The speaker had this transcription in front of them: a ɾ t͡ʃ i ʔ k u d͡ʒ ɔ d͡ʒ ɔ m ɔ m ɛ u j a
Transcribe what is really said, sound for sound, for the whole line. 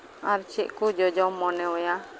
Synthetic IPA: a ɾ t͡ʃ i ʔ k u d͡ʒ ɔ d͡ʒ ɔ m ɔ n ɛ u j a